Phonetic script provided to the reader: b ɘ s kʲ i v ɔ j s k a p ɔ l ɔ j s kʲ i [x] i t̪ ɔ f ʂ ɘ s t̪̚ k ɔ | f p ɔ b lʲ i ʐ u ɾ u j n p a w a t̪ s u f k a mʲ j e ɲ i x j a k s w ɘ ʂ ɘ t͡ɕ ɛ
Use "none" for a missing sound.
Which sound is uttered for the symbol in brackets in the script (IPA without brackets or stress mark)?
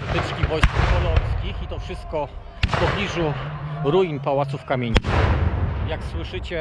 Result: x